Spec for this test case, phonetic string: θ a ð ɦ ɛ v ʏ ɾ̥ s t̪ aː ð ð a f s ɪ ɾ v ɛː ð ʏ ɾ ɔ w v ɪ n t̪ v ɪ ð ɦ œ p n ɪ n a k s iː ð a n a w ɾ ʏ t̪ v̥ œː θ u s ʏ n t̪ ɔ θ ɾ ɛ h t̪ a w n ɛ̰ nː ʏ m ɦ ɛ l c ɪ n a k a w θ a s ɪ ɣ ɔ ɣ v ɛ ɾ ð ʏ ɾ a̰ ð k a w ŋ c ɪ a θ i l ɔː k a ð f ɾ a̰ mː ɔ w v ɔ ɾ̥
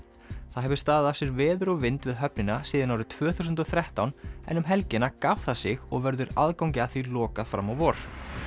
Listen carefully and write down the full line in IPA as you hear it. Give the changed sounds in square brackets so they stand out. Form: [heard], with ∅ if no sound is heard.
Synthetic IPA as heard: θ a ð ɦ ɛ v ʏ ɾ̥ s t̪ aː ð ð a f s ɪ ɾ v ɛː ð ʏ ɾ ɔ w v ɪ n t̪ v ɪ ð ɦ œ p n ɪ n a [∅] s iː ð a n a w ɾ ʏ [t̪ʰ] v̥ œː θ u s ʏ n t̪ ɔ θ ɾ ɛ h t̪ a w n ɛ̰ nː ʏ m ɦ ɛ l c ɪ n a k a w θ a s ɪ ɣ ɔ ɣ v ɛ ɾ ð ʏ ɾ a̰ ð k a w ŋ c ɪ a θ i l ɔː k a ð f ɾ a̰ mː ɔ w v ɔ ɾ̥

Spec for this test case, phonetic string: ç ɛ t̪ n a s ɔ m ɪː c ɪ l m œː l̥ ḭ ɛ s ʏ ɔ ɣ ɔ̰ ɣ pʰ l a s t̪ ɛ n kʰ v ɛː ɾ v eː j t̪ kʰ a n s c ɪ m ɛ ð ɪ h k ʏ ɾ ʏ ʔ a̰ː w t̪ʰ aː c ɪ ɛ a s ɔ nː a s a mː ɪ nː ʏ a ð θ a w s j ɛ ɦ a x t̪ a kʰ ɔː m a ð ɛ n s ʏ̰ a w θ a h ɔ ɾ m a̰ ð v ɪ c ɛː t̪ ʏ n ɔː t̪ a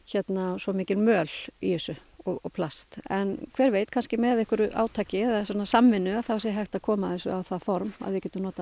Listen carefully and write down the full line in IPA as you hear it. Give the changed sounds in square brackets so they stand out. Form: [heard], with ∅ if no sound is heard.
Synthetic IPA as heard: ç ɛ t̪ n a s ɔ m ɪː c ɪ l m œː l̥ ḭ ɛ s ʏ ɔ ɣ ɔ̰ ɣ pʰ l a s t̪ ɛ n kʰ v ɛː ɾ v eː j t̪ kʰ a n s c ɪ m ɛ ð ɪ h k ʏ ɾ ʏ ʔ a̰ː w t̪ʰ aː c ɪ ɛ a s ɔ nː a s a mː ɪ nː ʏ a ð θ a w s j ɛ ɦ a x t̪ a kʰ ɔː m a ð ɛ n s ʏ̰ a w θ a [f] ɔ ɾ m a̰ ð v ɪ c ɛː t̪ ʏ n ɔː t̪ a

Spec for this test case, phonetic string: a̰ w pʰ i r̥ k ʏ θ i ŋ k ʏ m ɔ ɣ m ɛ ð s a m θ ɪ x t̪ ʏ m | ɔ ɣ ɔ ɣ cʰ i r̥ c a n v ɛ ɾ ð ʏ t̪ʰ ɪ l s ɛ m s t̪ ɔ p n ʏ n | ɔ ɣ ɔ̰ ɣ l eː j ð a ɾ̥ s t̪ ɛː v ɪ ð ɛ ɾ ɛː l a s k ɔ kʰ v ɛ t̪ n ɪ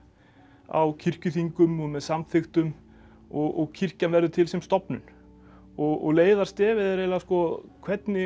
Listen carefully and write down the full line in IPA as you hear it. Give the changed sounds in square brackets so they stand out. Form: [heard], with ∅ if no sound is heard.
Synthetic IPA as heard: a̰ w [cʰ] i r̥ [c] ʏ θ i ŋ k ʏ m ɔ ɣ m ɛ ð s a m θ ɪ x t̪ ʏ m | ɔ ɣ ɔ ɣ cʰ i r̥ c a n v ɛ ɾ ð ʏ t̪ʰ ɪ l s ɛ m s t̪ ɔ p n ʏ n | ɔ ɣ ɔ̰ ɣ l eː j ð a ɾ̥ s t̪ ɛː v ɪ ð ɛ ɾ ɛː l a s k ɔ kʰ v ɛ t̪ n ɪ

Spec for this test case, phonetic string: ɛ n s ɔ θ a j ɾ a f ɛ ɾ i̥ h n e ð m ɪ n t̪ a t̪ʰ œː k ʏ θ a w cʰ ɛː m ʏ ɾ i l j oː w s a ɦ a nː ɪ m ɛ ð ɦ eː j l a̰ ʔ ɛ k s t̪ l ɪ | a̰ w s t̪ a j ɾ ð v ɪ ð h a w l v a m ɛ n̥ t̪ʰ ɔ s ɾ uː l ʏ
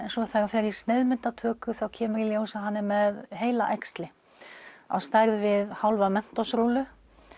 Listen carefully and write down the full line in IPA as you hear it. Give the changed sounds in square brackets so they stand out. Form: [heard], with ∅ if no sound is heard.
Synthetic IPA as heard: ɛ n s ɔ θ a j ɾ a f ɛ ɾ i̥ [s] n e ð m ɪ n t̪ a t̪ʰ œː k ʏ θ a w cʰ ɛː m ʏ ɾ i l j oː w s a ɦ a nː ɪ m ɛ ð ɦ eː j l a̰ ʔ ɛ k s t̪ l ɪ | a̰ w s t̪ a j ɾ ð v ɪ ð h a w l v a m ɛ n̥ [t̪] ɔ s ɾ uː l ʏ

